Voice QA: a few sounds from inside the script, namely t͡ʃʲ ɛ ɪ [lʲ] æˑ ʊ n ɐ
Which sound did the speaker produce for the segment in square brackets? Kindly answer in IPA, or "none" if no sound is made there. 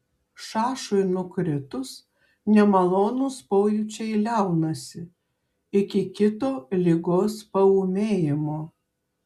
lʲ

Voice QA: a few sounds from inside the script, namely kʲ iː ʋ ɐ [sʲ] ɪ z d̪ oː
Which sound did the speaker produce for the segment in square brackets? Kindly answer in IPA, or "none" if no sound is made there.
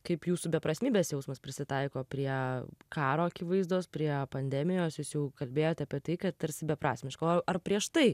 none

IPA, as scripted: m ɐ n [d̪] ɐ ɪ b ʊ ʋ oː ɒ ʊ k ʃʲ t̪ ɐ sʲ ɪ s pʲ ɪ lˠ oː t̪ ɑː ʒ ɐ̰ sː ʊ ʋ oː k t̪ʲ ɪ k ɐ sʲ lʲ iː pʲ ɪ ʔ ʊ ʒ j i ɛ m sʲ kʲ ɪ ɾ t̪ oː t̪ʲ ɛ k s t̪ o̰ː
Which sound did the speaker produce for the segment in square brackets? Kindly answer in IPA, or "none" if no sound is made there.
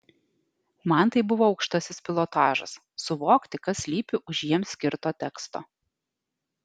t̪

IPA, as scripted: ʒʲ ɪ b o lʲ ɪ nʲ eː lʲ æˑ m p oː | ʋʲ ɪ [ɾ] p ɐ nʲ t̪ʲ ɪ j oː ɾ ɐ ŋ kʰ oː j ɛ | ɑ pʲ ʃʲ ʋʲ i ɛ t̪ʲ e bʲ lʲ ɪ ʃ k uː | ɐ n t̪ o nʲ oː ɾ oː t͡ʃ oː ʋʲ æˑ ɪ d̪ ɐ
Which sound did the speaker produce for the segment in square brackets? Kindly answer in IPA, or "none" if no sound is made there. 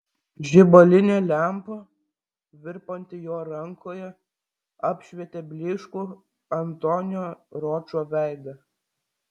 ɾ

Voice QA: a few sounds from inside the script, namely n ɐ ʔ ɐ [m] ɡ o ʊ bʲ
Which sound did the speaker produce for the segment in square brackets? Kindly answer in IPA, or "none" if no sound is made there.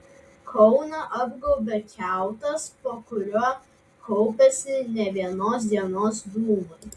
b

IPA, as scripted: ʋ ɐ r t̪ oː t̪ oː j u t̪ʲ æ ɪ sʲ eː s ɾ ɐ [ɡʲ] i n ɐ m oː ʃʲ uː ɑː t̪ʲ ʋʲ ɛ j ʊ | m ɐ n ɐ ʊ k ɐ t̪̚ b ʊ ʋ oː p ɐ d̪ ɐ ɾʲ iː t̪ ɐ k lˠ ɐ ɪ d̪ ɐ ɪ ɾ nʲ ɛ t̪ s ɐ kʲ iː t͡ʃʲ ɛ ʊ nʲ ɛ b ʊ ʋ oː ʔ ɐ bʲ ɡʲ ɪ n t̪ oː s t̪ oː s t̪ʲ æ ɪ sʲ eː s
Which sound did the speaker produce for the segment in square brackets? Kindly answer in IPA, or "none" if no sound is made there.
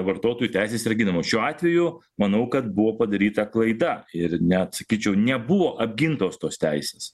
ɡʲ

